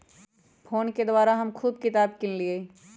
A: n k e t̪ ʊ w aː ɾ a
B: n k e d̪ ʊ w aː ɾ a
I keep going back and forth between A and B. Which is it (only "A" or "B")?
B